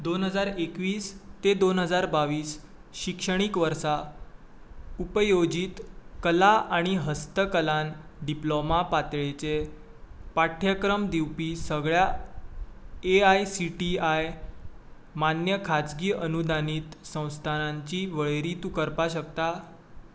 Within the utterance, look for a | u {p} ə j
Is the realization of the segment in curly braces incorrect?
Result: no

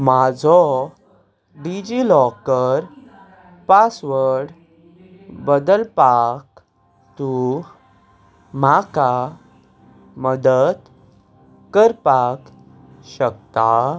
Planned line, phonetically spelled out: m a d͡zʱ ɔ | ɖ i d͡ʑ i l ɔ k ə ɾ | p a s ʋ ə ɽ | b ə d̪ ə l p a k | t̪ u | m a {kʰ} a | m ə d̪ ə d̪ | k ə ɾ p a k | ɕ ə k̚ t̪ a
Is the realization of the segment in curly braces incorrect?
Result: yes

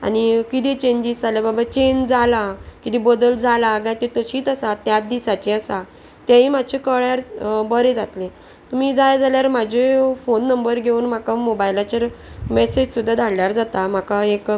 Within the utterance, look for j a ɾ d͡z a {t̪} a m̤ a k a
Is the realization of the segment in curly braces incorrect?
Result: no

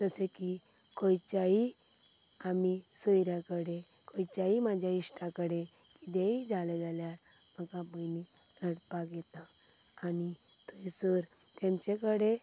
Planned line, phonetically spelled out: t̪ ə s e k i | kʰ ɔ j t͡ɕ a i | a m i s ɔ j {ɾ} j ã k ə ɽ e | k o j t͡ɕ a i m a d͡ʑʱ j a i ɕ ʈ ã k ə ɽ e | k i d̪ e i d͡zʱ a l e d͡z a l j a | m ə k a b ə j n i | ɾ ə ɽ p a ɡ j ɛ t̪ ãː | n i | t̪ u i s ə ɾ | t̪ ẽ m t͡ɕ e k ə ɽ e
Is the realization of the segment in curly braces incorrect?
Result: no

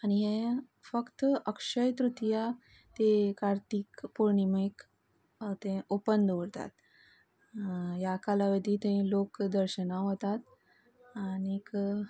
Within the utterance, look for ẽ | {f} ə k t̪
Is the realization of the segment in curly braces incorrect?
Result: no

